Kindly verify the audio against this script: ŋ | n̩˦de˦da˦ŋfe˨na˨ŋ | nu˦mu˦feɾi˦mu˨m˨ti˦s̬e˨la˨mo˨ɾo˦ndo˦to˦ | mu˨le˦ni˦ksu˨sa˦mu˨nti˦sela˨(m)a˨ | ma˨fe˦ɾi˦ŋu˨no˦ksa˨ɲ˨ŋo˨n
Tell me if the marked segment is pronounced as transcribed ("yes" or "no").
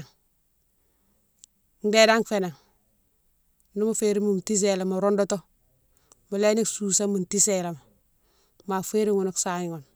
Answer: yes